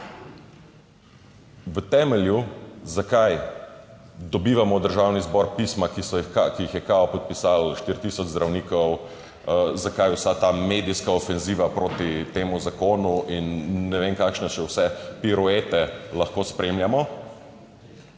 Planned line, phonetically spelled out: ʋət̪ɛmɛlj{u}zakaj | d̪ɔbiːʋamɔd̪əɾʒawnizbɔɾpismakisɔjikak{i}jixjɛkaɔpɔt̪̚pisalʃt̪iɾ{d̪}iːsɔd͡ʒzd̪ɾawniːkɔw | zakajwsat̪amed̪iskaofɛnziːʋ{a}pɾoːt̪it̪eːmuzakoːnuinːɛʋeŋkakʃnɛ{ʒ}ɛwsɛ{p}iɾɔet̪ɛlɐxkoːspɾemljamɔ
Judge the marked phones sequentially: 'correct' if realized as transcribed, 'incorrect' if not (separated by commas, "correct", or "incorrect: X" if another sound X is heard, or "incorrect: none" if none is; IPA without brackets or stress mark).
correct, correct, incorrect: t̪, correct, incorrect: ʃ, correct